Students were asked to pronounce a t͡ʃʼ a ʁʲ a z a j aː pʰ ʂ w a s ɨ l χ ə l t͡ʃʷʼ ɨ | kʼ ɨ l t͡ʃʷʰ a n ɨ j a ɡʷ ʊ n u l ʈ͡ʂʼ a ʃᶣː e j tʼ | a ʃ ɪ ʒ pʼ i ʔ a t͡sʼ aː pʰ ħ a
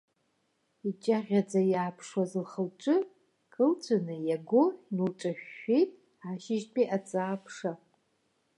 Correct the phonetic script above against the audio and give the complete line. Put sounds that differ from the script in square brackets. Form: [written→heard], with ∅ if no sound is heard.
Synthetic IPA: [a→i] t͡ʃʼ a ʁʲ a [z→d͡z] a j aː pʰ ʂ w a [s→z] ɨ l χ ə l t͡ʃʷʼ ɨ | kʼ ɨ l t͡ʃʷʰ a n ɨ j a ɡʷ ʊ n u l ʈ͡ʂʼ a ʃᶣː e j tʼ | a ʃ ɪ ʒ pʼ i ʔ a t͡sʼ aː pʰ [ħ→ʂ] a